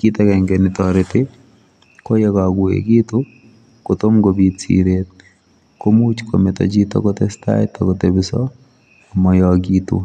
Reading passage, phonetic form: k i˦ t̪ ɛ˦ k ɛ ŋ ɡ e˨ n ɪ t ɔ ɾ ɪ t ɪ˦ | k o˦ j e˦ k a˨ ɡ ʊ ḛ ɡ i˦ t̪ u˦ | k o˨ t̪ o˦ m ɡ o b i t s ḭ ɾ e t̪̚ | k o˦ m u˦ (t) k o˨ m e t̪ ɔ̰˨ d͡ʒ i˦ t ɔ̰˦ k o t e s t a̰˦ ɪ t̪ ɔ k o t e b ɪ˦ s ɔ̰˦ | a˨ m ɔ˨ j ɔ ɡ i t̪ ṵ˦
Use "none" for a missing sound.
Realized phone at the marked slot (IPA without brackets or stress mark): t͡ʃ